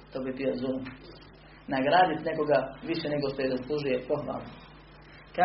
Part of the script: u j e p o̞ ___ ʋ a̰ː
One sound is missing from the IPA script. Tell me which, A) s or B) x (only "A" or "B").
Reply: B